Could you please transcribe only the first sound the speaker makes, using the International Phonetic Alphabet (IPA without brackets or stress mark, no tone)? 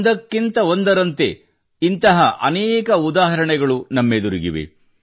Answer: d̪